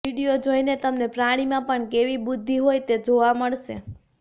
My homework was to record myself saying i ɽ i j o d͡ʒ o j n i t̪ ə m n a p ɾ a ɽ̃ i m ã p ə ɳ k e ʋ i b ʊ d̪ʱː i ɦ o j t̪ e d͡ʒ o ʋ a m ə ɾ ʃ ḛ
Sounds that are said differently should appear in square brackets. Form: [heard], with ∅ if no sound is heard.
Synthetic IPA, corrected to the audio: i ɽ i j o d͡ʒ o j n [e] t̪ ə m n [e] p ɾ a ɽ̃ i m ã p ə ɳ k e ʋ i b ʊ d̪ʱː i ɦ o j t̪ e d͡ʒ o ʋ a m ə [ɭ] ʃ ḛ